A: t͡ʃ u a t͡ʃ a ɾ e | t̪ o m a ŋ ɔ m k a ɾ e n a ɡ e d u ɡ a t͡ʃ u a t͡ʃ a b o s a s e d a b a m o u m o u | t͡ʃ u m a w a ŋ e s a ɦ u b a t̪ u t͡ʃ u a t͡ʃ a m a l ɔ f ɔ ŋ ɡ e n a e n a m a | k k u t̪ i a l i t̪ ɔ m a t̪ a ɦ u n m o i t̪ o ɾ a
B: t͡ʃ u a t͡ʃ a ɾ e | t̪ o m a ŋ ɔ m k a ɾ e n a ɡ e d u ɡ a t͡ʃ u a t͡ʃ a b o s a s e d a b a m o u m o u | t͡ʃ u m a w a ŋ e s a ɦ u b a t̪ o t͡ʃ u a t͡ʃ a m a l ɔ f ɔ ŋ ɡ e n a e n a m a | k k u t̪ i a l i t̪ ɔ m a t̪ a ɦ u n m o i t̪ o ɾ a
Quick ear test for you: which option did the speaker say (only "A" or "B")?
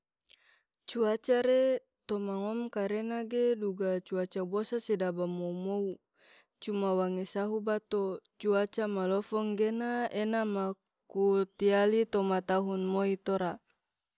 B